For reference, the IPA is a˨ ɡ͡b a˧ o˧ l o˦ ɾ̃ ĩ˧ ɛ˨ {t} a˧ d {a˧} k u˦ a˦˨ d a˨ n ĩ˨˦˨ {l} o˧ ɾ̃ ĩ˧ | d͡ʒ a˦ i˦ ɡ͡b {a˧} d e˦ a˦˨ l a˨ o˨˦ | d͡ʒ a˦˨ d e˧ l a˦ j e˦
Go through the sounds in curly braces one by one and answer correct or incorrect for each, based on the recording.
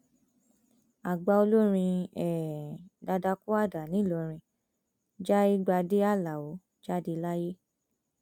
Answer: incorrect: d, correct, correct, correct

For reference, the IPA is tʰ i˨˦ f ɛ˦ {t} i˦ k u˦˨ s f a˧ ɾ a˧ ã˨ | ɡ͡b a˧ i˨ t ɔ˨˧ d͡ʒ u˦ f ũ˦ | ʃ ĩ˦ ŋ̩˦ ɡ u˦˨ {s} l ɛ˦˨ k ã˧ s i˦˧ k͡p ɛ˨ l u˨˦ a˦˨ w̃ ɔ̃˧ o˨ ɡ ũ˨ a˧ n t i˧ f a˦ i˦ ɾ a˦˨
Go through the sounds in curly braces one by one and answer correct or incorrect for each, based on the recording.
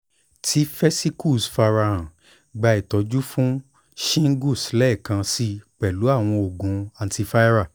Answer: incorrect: s, correct

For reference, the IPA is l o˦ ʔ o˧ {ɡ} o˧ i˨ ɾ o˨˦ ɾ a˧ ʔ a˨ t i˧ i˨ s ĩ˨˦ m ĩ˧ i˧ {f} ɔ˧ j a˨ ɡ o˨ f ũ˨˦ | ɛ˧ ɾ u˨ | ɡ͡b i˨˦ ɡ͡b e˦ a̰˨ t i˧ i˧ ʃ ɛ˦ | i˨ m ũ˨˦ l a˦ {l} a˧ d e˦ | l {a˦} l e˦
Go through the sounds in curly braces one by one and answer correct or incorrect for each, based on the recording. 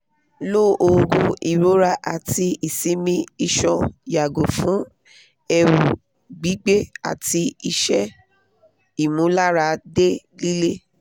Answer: correct, incorrect: ʃ, incorrect: ɾ, incorrect: i˦

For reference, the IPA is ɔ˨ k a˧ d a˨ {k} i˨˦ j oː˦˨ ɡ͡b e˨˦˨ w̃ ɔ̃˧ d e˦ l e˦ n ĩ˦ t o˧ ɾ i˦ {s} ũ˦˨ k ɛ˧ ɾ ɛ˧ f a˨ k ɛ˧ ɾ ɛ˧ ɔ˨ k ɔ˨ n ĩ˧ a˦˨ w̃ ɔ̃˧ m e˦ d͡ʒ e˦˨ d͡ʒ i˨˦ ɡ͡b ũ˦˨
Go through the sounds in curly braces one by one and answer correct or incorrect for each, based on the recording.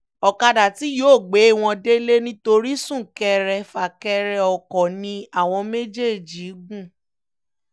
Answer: incorrect: t, correct

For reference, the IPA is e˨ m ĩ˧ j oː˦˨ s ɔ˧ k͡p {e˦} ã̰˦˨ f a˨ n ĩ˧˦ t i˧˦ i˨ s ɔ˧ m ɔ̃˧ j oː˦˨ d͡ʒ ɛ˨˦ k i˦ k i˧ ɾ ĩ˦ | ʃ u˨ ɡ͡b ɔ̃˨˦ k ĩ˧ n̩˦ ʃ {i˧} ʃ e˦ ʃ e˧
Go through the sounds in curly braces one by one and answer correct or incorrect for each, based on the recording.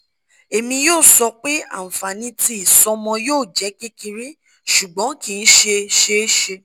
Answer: correct, incorrect: e˧

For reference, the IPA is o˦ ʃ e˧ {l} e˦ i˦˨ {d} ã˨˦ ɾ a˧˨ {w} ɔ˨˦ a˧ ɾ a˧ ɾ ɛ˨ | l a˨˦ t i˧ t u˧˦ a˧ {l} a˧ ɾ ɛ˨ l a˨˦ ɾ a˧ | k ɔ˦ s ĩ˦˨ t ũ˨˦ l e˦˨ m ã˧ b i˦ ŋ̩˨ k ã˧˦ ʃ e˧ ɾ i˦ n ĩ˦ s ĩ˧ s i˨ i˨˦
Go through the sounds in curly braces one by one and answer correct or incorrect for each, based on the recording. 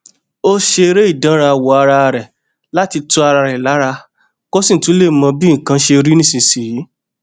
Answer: incorrect: ɾ, correct, correct, incorrect: ɾ

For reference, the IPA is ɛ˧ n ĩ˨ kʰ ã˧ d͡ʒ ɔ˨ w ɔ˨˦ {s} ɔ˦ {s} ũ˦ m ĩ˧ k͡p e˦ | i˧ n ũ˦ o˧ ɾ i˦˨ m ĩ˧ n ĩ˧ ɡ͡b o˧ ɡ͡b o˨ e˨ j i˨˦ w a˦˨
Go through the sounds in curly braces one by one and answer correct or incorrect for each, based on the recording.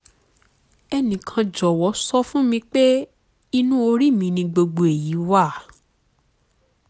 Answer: correct, incorrect: f

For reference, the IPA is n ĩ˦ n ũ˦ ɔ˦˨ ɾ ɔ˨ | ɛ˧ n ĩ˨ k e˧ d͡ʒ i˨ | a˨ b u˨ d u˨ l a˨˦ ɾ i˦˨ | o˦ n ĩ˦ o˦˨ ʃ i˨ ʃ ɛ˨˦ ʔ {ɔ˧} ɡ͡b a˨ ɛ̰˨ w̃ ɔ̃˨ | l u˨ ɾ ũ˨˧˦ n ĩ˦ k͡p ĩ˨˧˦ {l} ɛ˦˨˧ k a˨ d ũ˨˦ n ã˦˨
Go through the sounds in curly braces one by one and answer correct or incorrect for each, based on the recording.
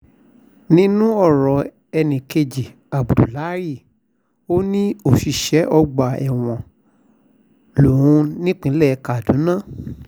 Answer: correct, correct

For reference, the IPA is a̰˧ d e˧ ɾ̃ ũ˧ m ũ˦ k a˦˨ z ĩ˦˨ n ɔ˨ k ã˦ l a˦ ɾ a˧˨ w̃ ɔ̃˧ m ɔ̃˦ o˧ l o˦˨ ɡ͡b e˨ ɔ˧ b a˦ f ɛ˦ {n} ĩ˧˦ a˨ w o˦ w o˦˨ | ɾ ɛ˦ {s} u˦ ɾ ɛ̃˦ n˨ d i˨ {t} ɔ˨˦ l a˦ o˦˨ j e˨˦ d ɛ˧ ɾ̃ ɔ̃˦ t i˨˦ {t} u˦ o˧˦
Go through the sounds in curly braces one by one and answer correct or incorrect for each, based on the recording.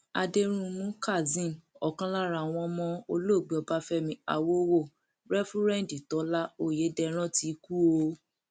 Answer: incorrect: m, incorrect: f, correct, incorrect: k

